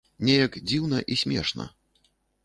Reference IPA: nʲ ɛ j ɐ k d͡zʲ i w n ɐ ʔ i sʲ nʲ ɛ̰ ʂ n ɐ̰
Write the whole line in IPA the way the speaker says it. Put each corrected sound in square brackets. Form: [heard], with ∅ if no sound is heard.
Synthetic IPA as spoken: nʲ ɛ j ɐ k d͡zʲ i w n ɐ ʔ i sʲ [mʲ] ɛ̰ ʂ n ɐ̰